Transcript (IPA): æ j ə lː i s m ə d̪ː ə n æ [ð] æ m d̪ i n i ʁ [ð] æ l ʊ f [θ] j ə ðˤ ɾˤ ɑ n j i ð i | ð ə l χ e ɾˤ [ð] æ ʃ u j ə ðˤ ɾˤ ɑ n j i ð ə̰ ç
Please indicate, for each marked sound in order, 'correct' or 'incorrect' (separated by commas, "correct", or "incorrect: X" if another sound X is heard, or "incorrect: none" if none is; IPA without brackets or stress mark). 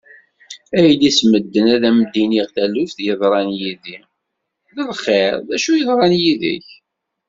correct, incorrect: θ, correct, correct